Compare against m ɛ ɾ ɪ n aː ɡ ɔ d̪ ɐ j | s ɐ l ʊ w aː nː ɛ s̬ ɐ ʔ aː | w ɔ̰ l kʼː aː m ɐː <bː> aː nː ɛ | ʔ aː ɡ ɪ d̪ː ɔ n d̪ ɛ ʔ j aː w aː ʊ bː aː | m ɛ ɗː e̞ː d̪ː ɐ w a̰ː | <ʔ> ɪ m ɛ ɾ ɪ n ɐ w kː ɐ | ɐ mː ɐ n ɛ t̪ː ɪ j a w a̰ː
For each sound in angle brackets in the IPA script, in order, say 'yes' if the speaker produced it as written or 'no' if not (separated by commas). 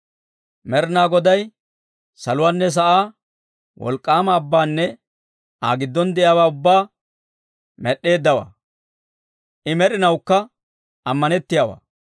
yes, yes